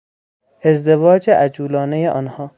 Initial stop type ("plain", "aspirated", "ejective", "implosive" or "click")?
plain